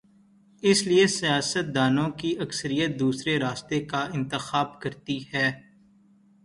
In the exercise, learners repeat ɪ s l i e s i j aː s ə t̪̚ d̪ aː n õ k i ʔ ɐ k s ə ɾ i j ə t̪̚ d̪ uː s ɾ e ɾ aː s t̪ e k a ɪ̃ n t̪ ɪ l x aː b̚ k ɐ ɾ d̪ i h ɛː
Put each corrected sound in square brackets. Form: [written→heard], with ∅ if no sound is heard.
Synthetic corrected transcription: ɪ s l i e s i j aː s ə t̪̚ d̪ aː n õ k i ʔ ɐ k s ə ɾ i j ə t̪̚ d̪ uː s ɾ e ɾ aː s t̪ e k a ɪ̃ n t̪ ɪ [l→∅] x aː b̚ k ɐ ɾ [d̪→t̪] i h ɛː